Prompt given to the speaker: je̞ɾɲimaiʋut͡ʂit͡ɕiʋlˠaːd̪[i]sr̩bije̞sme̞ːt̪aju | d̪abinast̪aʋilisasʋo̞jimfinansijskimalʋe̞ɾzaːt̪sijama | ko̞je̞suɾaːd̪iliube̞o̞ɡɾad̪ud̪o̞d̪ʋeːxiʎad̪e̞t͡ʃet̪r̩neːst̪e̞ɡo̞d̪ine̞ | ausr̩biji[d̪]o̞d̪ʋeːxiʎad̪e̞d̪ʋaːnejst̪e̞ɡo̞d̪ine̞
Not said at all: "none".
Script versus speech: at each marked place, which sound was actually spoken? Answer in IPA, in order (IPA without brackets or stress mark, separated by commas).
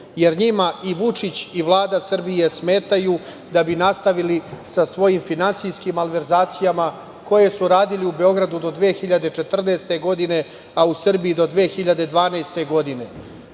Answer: a, d̪